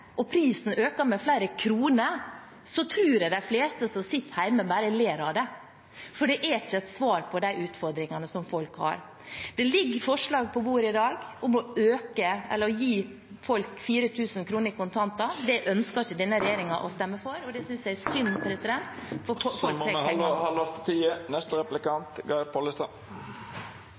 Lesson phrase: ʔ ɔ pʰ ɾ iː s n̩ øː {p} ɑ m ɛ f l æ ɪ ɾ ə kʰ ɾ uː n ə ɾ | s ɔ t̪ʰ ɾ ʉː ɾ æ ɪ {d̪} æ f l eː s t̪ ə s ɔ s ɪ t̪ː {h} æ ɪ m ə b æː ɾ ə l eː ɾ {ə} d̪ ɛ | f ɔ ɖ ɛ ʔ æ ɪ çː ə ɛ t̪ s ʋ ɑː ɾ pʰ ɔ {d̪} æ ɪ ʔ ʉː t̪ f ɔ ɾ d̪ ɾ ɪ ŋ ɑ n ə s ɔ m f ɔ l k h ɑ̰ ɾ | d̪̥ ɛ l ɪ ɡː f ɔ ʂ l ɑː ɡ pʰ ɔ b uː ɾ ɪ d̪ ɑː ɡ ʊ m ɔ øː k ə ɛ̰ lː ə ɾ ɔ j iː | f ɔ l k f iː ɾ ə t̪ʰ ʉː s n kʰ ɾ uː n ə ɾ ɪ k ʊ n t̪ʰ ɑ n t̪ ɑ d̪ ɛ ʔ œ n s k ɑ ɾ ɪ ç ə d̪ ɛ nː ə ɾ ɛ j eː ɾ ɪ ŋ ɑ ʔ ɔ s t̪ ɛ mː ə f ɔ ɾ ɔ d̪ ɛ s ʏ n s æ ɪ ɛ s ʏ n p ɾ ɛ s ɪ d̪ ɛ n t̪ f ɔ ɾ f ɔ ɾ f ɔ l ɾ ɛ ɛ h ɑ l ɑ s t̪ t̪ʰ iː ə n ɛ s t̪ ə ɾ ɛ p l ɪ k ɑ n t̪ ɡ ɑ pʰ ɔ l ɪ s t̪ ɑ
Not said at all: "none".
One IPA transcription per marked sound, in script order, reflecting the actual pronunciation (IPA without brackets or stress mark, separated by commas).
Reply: k, d̪, h, ɑ, d̪